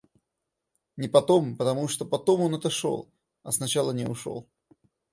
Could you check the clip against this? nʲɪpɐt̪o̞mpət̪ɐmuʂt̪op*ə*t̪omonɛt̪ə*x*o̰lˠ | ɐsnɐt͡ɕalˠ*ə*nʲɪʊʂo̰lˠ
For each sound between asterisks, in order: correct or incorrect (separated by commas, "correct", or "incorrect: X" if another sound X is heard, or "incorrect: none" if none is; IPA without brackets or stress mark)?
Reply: incorrect: ɐ, incorrect: ʂ, correct